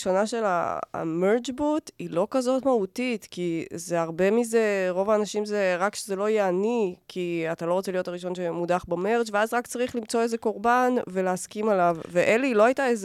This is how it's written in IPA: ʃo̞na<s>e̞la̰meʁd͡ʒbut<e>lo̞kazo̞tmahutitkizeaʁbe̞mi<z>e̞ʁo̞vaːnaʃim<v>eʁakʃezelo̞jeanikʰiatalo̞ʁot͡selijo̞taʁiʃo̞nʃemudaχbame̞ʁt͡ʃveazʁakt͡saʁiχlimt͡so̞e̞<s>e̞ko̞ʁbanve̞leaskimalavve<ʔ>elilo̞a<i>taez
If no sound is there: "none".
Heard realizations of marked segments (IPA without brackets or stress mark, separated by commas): ʃ, i, z, z, z, ʔ, j